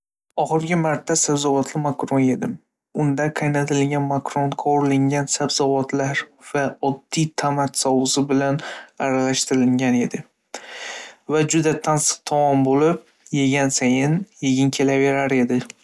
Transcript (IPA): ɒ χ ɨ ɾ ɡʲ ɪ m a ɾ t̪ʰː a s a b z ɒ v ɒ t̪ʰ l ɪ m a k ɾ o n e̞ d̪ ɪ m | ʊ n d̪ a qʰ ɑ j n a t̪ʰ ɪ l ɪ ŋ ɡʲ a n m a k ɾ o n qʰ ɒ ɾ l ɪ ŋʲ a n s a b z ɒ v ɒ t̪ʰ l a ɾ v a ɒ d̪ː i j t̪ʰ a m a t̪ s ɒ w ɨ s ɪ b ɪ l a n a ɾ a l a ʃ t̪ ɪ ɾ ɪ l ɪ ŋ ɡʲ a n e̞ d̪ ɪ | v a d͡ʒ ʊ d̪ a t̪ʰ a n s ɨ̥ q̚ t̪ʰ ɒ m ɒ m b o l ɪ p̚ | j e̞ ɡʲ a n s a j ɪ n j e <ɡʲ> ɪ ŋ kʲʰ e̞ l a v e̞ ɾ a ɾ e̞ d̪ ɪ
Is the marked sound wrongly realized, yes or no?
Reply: no